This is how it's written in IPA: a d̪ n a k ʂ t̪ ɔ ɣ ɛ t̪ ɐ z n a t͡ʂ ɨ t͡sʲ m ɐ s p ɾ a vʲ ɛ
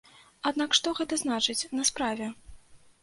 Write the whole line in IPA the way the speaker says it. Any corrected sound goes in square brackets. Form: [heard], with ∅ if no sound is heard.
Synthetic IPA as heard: a d̪ n a k ʂ t̪ ɔ ɣ ɛ t̪ ɐ z n a t͡ʂ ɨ t͡sʲ [n] ɐ s p ɾ a vʲ ɛ